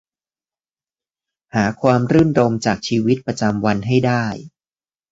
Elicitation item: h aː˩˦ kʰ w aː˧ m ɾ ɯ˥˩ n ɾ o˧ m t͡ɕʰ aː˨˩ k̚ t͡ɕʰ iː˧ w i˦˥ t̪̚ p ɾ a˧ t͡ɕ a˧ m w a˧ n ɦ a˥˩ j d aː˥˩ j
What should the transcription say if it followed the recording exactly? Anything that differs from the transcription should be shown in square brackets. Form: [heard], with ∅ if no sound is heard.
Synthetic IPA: h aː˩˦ kʰ w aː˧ m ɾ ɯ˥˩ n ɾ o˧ m [t͡ɕ] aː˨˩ k̚ t͡ɕʰ iː˧ w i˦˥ t̪̚ p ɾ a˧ t͡ɕ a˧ m w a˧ n ɦ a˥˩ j d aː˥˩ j